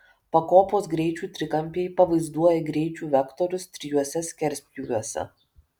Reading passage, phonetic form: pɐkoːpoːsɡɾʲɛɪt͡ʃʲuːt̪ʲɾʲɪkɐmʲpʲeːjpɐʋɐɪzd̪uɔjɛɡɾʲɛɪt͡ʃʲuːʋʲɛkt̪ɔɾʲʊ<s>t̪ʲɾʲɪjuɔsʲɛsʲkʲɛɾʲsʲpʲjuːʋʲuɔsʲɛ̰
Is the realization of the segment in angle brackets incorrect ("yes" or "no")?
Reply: no